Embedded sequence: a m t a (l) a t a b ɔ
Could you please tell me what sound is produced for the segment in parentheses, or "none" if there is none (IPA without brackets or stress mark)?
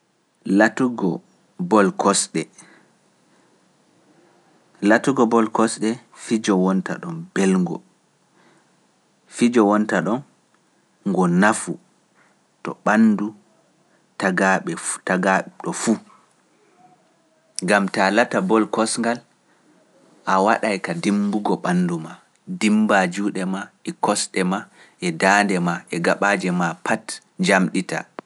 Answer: l